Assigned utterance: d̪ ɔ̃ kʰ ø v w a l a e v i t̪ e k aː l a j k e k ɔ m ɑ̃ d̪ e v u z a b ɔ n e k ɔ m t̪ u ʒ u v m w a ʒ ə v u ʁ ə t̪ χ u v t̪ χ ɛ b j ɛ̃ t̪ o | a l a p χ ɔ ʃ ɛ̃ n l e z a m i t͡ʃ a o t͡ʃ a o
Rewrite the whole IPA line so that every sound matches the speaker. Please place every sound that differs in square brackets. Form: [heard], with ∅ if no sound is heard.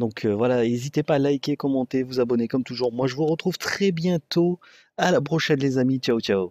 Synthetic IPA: d̪ ɔ̃ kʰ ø v w a l a e [z] i t̪ e [p] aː l a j k e k ɔ m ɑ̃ [t̪] e v u z a b ɔ n e k ɔ m t̪ u ʒ u [ʁ] m w a ʒ ə v u ʁ ə t̪ χ u v t̪ χ ɛ b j ɛ̃ t̪ o | a l a p χ ɔ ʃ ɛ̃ n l e z a m i t͡ʃ a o t͡ʃ a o